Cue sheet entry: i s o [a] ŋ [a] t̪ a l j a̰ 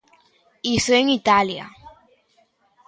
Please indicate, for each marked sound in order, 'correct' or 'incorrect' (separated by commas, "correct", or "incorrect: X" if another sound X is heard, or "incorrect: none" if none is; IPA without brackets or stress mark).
incorrect: e, incorrect: i